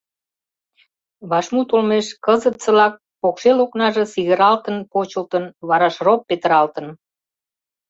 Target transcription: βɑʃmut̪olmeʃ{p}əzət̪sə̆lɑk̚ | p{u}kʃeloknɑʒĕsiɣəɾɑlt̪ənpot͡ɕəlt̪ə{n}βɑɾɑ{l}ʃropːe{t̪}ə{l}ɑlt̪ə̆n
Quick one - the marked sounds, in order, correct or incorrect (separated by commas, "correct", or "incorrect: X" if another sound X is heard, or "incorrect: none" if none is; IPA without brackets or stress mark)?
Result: incorrect: k, incorrect: o, correct, incorrect: none, correct, incorrect: ɾ